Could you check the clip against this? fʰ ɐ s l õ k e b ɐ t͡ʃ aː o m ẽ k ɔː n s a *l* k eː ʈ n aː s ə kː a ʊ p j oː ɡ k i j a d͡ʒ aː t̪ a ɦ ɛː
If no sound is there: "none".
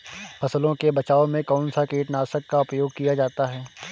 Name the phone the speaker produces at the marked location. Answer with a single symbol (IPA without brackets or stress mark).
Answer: none